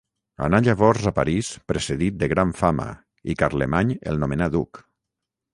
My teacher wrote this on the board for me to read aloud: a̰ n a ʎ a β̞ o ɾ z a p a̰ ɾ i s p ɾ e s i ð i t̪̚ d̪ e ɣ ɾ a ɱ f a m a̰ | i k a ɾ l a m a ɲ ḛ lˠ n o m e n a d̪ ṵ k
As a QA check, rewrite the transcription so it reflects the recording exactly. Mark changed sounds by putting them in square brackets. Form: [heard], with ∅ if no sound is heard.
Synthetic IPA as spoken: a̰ n a ʎ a β̞ [ɔ] ɾ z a p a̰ ɾ i s p ɾ e s [e] ð i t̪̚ d̪ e ɣ ɾ a ɱ f a m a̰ | i k a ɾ l [e] m a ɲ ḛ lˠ n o m e n a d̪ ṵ k